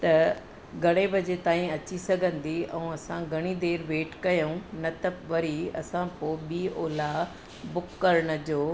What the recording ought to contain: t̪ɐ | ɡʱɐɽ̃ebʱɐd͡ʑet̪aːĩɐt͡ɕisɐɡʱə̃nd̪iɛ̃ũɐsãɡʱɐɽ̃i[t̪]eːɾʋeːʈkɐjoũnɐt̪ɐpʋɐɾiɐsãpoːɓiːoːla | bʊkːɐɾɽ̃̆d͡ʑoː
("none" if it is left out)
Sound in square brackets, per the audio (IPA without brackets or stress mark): d̪